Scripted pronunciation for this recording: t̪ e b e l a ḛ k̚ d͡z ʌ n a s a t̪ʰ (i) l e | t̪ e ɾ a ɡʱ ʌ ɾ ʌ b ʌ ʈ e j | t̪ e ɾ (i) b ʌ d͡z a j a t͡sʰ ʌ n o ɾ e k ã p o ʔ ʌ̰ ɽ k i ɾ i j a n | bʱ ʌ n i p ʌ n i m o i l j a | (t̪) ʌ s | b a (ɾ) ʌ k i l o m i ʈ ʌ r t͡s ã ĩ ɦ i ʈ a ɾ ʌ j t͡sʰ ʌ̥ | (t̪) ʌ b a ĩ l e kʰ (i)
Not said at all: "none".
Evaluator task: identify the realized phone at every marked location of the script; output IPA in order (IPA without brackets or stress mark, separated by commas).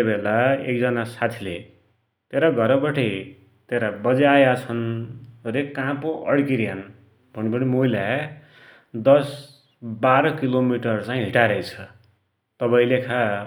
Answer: i, a, d̪, ɾ, t̪, a